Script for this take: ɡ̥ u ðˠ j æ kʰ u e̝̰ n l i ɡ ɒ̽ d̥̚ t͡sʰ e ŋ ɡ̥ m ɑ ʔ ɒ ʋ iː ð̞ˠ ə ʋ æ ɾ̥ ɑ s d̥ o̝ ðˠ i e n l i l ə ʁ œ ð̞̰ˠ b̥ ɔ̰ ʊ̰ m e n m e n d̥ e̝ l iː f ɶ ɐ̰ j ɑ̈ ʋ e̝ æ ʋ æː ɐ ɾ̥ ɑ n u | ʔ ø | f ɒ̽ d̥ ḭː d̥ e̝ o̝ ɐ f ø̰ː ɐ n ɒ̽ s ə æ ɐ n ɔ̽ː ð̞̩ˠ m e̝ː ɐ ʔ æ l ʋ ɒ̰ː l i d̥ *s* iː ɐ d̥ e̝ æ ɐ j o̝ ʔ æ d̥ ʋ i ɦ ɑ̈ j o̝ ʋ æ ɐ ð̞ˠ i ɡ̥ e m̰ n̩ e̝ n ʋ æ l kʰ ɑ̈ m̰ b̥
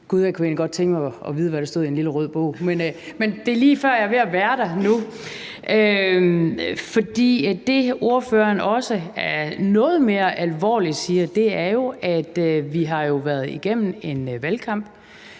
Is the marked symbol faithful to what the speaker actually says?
yes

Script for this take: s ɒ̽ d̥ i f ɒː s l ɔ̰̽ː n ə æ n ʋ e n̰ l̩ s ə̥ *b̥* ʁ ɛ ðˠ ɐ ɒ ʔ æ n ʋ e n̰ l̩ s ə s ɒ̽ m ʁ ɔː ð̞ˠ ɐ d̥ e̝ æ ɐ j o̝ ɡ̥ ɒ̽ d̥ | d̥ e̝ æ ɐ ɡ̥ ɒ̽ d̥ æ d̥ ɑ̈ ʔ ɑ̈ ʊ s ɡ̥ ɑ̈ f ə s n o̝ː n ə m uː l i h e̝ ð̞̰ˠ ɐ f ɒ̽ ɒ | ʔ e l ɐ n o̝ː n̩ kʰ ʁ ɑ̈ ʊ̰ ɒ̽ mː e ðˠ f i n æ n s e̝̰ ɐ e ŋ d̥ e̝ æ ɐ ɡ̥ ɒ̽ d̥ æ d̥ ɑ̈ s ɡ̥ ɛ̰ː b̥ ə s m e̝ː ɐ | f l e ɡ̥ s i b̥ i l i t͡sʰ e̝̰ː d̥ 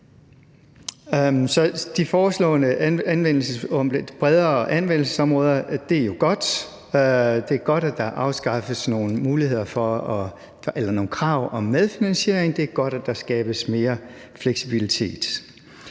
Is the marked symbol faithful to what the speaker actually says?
yes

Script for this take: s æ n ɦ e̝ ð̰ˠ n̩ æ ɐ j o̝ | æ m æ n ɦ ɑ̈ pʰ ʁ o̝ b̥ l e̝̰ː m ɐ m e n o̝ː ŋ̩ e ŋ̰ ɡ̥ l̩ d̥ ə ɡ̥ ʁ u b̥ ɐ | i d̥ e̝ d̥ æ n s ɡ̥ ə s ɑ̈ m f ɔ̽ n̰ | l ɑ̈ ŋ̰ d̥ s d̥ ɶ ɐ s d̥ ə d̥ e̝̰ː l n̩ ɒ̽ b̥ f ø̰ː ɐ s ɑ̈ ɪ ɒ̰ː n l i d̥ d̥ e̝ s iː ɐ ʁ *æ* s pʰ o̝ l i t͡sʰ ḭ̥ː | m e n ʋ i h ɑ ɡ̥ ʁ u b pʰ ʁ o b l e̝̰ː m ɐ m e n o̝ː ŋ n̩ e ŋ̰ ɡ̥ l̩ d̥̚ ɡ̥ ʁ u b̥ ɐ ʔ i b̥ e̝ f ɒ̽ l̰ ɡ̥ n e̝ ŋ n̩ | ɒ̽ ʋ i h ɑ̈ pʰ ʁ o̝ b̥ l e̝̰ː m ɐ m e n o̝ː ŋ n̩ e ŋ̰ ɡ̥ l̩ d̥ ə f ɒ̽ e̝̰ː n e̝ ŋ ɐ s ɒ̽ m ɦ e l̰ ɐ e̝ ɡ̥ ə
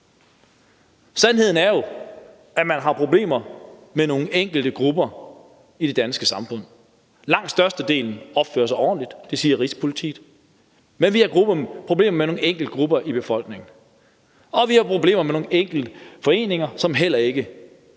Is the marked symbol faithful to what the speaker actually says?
no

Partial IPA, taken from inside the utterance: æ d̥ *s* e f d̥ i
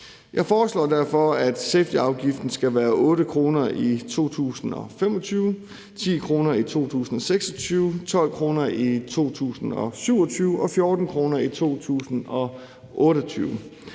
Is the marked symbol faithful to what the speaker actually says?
yes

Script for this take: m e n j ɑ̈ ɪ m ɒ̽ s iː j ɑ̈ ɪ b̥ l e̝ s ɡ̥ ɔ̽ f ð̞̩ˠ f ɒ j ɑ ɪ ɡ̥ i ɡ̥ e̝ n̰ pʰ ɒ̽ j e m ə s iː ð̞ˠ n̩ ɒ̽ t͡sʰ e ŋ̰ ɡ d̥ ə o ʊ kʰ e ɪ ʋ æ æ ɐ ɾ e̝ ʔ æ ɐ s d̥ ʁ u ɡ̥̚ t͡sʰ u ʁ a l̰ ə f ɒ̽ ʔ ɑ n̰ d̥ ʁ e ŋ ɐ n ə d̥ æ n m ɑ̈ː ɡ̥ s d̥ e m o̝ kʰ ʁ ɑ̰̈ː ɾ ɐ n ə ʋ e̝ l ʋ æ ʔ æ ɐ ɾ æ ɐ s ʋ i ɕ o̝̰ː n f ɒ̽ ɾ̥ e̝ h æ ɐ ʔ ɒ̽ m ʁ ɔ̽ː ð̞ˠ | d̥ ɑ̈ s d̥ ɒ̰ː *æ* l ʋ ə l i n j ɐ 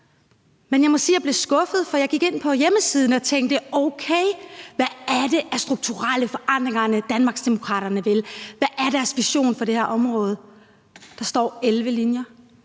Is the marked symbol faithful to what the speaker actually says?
no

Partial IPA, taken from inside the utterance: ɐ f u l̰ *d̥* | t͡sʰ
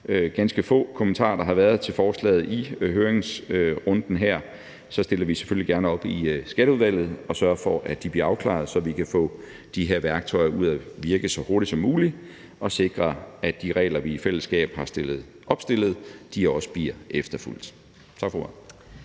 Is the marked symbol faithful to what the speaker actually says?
yes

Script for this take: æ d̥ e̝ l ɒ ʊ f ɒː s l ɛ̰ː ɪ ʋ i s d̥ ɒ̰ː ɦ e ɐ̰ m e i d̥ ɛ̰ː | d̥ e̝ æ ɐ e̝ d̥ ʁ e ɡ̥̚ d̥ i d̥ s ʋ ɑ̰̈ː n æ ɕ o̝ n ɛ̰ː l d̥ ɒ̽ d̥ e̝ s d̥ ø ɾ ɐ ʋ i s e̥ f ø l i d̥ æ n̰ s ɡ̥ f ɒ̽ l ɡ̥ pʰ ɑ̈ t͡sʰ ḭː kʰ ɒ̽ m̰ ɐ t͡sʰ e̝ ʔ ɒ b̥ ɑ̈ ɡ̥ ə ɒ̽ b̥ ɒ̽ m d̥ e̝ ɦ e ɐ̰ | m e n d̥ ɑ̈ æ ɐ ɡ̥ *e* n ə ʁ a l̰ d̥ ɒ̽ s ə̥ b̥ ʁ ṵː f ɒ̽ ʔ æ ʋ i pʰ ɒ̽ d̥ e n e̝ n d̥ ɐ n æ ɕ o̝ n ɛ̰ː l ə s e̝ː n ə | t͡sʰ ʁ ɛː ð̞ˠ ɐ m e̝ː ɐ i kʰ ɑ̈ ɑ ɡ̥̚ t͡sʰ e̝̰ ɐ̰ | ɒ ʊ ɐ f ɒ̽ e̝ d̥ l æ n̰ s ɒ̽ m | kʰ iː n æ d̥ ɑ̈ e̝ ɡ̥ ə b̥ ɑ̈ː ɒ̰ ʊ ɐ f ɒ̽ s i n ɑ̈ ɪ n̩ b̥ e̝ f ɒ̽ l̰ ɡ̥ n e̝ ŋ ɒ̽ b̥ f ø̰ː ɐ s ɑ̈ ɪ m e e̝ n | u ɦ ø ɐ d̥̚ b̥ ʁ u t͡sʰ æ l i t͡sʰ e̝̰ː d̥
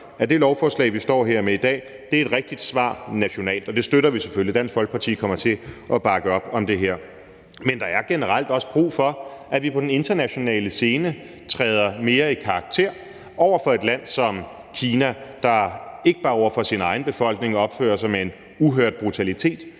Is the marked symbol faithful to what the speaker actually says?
yes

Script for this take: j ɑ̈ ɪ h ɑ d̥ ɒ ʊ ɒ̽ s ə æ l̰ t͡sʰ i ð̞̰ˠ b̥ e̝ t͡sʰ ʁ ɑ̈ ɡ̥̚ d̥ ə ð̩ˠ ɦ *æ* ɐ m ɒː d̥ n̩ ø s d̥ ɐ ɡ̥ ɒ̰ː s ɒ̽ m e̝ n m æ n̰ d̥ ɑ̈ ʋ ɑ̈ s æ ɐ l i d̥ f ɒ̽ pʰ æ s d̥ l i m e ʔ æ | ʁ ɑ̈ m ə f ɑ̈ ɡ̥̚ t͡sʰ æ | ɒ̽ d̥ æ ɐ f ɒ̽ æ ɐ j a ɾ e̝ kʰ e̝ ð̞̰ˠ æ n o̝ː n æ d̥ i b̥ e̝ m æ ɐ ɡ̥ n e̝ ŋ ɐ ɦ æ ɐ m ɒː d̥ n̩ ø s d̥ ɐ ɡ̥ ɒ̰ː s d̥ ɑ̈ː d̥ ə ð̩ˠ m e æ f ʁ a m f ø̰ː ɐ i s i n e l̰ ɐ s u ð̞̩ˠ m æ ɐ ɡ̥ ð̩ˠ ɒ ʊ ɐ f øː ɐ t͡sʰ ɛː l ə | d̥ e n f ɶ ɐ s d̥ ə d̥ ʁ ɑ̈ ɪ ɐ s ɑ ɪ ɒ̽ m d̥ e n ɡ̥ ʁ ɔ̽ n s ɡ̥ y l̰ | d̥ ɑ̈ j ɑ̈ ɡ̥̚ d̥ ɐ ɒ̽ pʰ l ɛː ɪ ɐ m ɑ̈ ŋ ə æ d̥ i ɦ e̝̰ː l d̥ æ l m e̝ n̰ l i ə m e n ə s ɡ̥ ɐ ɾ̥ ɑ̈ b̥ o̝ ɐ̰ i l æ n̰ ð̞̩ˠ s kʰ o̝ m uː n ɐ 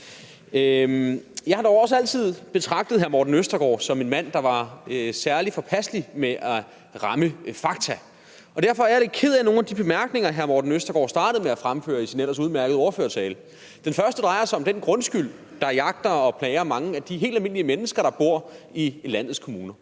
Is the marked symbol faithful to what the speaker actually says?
yes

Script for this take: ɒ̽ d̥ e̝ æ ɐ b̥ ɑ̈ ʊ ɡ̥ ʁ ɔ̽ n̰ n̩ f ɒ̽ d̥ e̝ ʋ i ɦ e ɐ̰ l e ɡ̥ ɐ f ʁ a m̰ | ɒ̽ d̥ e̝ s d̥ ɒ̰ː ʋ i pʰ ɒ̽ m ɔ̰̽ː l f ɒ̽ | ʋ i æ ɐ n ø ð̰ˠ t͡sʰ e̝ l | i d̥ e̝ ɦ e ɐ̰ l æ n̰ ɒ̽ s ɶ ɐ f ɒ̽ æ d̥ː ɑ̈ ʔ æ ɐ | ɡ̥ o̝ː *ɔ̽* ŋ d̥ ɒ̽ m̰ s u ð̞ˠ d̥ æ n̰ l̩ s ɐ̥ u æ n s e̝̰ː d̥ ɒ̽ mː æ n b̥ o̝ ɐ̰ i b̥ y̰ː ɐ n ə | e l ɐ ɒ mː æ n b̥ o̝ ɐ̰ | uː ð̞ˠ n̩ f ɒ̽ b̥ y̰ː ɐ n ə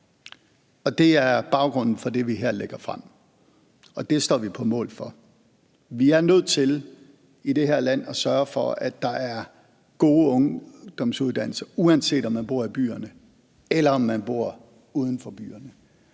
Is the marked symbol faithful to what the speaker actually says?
yes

